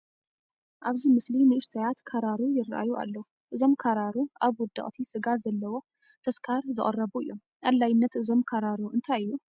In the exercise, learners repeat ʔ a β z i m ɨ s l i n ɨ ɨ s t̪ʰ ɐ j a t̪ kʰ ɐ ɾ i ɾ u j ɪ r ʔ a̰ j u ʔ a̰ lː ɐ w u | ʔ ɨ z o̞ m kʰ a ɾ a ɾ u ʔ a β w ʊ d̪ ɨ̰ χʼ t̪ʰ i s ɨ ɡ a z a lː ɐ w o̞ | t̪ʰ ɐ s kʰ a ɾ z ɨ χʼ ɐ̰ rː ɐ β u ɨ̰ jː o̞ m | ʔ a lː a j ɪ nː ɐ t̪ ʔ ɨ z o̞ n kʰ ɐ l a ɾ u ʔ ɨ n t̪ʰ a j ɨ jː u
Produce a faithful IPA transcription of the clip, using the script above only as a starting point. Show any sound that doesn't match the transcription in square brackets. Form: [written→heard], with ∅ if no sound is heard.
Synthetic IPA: ʔ a β z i m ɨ s l i n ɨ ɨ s t̪ʰ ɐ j a t̪ kʰ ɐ ɾ [i→a] ɾ u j ɪ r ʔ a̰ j u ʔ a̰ lː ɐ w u | ʔ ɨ z o̞ m kʰ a ɾ a ɾ u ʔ a β w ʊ d̪ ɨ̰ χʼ t̪ʰ i s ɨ ɡ a z [a→ɐ] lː ɐ w o̞ | t̪ʰ ɐ s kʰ a ɾ z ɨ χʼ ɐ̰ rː ɐ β u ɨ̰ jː o̞ m | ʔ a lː a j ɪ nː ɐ t̪ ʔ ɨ z o̞ [n→m] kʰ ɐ [l→ɾ] a ɾ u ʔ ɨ n t̪ʰ a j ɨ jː u